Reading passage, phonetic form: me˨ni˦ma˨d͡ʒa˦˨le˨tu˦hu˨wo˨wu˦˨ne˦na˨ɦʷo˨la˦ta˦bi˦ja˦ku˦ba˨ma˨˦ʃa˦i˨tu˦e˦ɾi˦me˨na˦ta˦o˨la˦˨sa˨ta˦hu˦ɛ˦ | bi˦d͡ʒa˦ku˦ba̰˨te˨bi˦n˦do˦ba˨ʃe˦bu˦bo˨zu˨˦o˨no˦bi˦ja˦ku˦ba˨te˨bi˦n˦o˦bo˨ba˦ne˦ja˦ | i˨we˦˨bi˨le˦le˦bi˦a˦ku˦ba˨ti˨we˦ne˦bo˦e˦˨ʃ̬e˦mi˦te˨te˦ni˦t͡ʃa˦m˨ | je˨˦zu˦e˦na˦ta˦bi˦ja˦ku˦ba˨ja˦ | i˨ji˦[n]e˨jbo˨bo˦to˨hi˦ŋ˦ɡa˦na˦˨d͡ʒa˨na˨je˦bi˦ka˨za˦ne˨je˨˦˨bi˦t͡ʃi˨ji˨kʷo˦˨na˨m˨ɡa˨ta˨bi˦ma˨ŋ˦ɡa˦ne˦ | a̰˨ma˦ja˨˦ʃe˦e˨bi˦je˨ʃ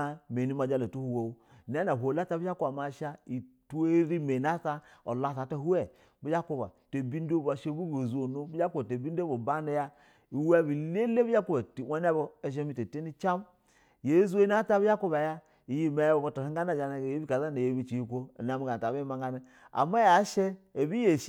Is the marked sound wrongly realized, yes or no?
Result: yes